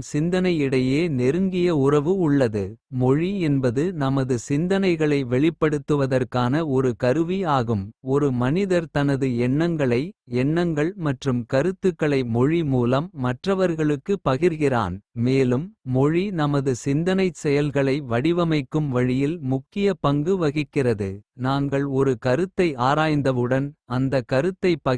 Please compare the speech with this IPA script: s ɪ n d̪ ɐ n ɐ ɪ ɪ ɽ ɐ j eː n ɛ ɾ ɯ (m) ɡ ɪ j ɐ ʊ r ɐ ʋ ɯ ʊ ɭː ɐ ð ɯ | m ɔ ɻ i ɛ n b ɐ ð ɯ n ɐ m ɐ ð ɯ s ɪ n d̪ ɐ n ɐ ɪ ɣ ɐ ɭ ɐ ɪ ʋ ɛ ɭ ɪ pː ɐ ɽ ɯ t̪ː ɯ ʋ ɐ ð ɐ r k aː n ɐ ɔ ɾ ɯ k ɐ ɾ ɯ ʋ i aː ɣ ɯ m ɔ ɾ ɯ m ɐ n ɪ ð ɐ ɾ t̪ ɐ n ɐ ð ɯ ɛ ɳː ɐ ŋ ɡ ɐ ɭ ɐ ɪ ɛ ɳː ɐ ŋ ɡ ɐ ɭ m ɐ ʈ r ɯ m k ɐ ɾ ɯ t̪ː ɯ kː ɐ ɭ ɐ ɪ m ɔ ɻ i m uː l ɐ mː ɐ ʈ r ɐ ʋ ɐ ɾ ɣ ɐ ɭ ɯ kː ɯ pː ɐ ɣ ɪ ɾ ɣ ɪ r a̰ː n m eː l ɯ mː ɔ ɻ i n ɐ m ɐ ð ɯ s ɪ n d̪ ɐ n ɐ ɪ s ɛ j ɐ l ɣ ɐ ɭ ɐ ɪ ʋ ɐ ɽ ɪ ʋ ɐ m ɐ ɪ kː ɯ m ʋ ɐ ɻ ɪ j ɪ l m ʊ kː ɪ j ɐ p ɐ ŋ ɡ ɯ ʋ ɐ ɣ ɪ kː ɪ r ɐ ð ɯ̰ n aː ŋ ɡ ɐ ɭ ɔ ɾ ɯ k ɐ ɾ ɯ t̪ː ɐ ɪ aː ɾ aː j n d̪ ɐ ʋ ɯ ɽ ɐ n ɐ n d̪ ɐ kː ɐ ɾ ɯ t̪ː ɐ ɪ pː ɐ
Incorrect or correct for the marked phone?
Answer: incorrect: ŋ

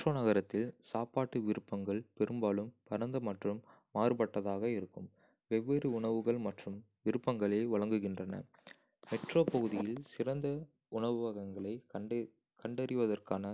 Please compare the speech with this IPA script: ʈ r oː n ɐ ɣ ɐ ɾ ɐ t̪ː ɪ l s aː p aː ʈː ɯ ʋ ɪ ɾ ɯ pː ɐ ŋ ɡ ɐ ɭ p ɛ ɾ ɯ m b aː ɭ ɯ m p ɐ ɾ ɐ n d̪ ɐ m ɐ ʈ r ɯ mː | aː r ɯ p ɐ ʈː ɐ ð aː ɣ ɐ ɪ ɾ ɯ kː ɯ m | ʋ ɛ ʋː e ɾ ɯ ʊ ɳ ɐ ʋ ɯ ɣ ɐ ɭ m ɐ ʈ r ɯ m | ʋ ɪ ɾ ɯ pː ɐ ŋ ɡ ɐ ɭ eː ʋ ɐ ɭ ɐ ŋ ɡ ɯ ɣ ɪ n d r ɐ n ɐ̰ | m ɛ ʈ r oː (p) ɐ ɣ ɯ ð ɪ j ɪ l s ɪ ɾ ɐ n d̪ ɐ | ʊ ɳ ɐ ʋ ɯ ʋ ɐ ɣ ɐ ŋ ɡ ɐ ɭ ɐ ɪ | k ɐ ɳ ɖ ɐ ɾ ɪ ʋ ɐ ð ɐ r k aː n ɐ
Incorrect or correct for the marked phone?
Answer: correct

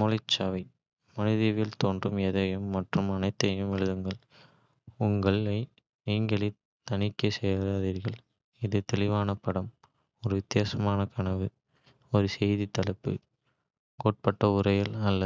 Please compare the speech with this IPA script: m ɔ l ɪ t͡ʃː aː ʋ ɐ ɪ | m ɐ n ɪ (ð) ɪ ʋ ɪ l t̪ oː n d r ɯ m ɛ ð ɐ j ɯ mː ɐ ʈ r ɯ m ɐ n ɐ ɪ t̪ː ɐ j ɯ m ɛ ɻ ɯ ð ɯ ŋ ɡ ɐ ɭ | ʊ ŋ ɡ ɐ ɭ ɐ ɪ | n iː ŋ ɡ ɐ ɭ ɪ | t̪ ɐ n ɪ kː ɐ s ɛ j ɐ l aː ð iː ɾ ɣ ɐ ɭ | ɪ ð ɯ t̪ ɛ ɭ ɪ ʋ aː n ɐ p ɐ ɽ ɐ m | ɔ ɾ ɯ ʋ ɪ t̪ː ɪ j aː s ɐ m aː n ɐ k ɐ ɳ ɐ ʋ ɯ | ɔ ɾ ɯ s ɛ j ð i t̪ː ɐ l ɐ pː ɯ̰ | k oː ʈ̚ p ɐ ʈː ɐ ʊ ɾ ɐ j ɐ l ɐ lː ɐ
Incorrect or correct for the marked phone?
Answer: correct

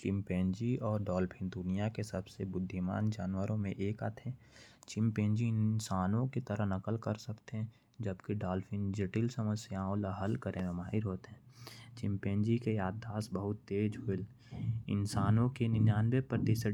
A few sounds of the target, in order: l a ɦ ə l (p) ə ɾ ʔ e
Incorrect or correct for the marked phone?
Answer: incorrect: k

